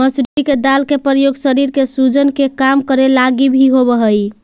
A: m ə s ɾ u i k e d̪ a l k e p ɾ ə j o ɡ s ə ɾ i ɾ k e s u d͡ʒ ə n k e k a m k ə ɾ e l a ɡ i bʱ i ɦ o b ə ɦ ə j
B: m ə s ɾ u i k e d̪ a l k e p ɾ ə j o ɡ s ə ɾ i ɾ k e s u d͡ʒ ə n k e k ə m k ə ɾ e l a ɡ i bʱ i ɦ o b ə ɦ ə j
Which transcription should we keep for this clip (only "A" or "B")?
A